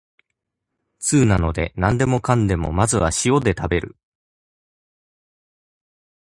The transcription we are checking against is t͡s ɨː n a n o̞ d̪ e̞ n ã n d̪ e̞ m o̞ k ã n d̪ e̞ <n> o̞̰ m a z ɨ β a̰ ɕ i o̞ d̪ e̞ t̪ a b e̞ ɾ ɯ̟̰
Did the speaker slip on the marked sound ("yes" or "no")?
yes